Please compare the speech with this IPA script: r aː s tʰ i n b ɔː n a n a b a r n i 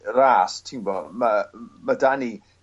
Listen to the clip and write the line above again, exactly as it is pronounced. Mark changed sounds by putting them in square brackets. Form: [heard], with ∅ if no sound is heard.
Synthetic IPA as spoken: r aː s tʰ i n b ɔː [m] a [m] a [d] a [∅] n i